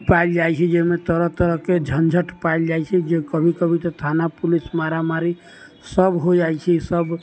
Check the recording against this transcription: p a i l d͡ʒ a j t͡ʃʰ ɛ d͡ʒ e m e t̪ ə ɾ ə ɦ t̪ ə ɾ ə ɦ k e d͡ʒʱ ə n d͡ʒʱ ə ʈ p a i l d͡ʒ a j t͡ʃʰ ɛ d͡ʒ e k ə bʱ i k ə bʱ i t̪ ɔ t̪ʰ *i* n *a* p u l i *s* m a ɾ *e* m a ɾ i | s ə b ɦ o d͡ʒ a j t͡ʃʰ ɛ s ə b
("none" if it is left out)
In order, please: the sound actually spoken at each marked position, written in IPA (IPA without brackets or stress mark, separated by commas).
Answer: a, a, s, a